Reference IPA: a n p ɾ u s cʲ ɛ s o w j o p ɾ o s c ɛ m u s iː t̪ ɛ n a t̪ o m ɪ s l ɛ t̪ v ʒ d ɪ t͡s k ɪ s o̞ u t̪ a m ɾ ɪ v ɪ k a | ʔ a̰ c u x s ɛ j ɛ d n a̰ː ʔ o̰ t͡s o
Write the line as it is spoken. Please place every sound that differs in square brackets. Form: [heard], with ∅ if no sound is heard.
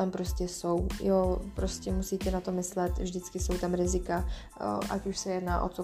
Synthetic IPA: a [m] p ɾ [o] s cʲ ɛ s o w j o p ɾ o s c ɛ m u s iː t̪ ɛ n a t̪ o m ɪ s l ɛ t̪ v ʒ d ɪ t͡s k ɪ s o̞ [w] t̪ a m ɾ ɪ [z] ɪ k a | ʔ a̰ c u [ʃ] s ɛ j ɛ d n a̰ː ʔ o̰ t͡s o